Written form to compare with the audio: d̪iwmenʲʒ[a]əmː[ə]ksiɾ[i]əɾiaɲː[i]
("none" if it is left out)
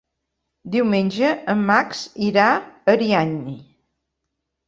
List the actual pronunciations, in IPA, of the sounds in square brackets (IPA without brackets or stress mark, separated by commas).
ə, a, a, i